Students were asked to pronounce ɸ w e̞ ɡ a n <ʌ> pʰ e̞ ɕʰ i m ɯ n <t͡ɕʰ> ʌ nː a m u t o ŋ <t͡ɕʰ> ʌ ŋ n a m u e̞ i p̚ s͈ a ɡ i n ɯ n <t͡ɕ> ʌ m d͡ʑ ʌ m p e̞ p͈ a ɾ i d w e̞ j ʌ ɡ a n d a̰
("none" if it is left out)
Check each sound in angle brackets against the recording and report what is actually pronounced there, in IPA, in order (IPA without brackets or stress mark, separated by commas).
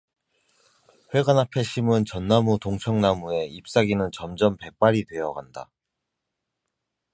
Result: a, t͡ɕ, t͡ɕʰ, t͡ɕ